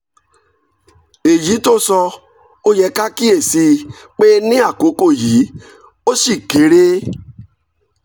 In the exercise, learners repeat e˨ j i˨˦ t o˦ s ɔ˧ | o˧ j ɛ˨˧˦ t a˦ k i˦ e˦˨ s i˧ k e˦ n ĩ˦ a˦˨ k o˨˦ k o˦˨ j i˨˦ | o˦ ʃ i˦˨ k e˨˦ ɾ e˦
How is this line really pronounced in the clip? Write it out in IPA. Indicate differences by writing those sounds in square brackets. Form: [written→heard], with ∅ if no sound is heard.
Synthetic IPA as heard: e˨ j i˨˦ t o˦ s ɔ˧ | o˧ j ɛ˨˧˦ [t→k] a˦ k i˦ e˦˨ s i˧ [k→k͡p] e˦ n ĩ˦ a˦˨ k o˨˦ k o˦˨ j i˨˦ | o˦ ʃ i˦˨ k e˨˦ ɾ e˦